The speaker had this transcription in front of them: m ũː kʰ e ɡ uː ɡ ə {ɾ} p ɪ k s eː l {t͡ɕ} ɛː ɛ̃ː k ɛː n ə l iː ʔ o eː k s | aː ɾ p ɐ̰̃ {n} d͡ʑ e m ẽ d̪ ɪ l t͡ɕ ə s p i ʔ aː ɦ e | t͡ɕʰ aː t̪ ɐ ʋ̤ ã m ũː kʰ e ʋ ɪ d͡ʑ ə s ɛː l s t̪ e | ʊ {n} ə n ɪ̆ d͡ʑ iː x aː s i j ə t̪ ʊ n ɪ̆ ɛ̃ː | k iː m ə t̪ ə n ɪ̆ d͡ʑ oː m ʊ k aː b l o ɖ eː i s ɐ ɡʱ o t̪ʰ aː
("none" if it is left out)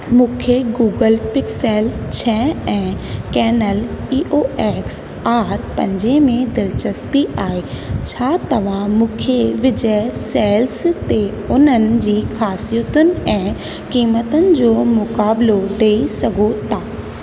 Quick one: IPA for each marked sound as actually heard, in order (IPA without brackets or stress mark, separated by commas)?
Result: l, t͡ɕʰ, ɲ, n